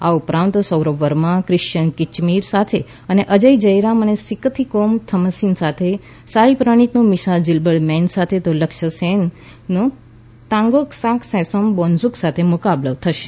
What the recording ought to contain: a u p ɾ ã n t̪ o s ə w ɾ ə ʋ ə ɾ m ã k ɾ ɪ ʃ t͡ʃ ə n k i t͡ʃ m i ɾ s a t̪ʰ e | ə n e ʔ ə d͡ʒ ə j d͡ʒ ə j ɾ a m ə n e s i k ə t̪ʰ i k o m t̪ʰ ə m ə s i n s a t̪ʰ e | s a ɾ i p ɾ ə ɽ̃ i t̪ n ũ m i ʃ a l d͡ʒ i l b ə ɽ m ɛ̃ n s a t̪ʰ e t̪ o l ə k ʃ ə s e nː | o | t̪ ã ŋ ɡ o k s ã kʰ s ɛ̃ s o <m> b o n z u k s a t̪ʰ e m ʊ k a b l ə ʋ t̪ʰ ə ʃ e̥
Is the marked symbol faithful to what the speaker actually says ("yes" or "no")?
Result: yes